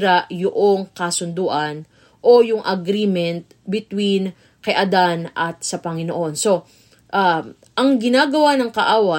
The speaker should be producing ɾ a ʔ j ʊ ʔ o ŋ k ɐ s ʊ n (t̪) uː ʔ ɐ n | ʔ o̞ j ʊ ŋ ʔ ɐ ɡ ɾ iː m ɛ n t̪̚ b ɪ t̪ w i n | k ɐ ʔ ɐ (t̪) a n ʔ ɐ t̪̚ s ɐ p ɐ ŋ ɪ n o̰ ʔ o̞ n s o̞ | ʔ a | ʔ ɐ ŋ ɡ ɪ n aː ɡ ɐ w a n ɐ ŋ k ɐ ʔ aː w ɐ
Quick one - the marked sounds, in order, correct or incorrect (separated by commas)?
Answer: incorrect, incorrect